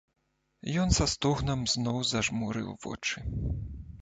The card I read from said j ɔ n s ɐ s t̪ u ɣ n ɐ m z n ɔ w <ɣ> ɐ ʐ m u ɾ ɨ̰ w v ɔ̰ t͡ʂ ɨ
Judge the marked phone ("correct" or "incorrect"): incorrect